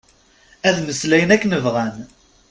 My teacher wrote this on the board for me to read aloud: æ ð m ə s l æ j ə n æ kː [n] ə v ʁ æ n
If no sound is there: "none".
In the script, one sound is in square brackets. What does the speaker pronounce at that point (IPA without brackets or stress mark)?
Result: n